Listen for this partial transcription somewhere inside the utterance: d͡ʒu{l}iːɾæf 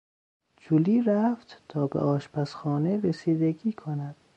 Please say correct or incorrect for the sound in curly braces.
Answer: correct